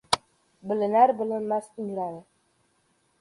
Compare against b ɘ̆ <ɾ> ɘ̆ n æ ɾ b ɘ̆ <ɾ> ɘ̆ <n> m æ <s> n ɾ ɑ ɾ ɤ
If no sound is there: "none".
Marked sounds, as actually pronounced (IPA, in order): l, l, n, s

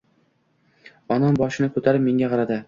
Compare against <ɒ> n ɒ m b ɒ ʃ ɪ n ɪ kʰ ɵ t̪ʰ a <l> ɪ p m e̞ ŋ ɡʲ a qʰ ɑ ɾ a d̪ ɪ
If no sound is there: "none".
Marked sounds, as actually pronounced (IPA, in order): ɒ, ɾ

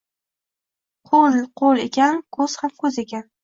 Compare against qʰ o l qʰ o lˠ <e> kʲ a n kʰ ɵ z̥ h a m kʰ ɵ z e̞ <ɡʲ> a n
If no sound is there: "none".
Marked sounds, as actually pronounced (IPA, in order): e, kʲ

